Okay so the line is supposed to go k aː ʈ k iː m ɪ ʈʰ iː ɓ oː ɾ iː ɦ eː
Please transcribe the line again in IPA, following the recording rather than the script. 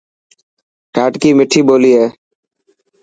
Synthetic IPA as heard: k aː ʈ k iː m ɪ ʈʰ iː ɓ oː l iː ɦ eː

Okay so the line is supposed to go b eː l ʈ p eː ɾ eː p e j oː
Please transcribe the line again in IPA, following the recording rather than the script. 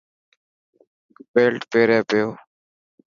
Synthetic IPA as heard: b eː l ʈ p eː ɾ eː p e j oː

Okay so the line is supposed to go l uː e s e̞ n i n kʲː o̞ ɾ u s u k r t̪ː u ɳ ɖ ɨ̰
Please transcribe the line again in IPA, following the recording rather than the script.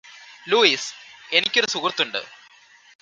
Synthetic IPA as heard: l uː i s e̞ n i kʲː o̞ ɾ u s u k r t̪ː u ɳ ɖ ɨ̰

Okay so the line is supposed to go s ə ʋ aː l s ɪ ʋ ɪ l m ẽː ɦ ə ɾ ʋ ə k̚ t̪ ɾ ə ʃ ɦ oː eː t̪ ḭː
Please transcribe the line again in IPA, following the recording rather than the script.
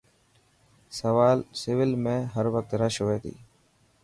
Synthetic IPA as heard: s ə ʋ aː l s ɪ ʋ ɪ l m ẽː ɦ ə ɾ ʋ ə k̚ t̪ ɾ ə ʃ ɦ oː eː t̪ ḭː

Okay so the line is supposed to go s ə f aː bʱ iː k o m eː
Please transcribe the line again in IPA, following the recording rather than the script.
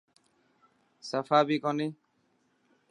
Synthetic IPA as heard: s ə f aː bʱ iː k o n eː

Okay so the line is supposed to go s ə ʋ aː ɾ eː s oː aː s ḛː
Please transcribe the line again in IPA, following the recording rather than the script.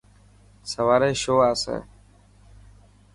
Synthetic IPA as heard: s ə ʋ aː ɾ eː ʃ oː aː s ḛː

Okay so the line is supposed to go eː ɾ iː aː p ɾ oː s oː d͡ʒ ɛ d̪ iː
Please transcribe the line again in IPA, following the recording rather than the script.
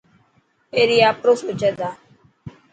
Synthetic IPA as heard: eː ɾ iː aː p ɾ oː s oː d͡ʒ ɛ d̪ aː

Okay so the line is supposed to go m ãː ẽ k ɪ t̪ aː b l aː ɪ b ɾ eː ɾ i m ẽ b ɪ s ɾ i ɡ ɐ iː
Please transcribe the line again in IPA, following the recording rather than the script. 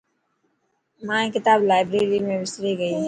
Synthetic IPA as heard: m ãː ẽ k ɪ t̪ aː b l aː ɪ b ɾ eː ɾ i m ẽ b ɪ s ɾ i ɡ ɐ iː

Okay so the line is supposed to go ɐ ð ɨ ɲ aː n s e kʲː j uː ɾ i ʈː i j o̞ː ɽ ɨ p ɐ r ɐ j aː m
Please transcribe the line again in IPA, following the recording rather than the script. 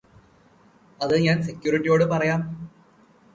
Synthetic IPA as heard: ɐ ð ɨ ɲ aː n s e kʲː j uː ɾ i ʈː i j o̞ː ɽ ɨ p ɐ r ɐ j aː m

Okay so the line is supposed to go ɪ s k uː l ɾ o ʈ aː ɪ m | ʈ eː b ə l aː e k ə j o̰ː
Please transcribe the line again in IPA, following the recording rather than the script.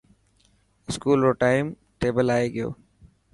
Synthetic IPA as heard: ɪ s k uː l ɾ o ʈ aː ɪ m | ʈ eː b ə l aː e ɡ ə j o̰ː

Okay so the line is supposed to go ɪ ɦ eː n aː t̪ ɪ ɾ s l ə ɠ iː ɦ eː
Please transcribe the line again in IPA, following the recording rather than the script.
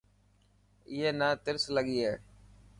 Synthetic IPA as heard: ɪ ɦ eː n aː t̪ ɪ ɾ s l ə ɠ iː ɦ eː

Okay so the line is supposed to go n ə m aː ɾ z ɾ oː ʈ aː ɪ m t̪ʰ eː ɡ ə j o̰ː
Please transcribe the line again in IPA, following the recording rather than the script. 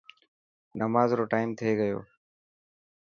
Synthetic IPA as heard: n ə m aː z ɾ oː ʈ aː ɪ m t̪ʰ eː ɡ ə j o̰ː

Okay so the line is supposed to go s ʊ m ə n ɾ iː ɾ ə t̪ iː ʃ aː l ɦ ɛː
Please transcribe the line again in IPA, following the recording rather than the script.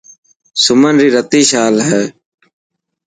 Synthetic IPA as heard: s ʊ m ə n ɾ iː ɾ ə t̪ iː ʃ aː l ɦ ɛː

